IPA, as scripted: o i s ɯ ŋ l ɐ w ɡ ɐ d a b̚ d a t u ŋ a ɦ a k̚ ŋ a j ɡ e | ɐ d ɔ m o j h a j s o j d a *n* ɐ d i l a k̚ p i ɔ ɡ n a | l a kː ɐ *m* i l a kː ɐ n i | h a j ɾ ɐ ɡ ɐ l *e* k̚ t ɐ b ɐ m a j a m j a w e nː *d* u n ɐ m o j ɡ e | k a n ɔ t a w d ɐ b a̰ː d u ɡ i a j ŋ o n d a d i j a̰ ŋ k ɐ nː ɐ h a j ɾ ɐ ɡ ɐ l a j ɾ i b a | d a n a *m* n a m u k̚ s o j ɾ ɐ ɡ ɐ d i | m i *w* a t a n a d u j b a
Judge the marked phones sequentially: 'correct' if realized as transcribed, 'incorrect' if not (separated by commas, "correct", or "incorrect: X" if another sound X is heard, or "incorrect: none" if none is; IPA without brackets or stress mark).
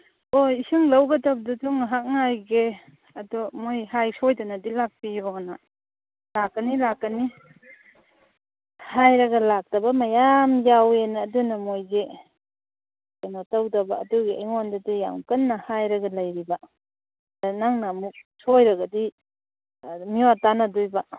correct, incorrect: n, incorrect: a, correct, incorrect: ŋ, correct